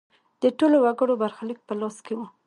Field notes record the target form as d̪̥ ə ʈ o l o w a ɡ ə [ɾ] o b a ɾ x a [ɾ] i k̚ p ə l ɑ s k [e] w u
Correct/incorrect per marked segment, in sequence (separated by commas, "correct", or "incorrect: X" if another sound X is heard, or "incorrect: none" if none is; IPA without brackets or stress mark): incorrect: ɽ, incorrect: l, correct